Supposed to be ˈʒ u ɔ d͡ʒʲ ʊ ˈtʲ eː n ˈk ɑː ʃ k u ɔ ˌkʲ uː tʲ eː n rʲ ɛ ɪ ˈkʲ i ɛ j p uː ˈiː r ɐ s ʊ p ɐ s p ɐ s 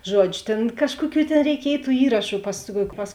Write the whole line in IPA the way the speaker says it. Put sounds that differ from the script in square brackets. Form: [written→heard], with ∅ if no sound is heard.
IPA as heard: ˈʒ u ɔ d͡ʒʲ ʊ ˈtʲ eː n ˈk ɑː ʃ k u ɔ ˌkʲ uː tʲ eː n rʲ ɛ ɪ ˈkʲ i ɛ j [p→t] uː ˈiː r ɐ [s→ʃ] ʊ p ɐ s p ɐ s